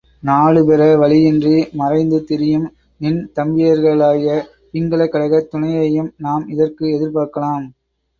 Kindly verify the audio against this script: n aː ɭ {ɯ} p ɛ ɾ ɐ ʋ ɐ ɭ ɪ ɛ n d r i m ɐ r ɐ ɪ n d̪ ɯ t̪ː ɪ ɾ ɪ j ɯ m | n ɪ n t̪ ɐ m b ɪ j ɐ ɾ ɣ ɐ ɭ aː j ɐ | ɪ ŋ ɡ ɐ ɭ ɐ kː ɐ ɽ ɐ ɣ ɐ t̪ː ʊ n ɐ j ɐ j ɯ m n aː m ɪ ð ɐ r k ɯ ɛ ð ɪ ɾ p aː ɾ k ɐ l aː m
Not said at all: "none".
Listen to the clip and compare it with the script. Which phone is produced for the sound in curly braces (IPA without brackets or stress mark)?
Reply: ɯ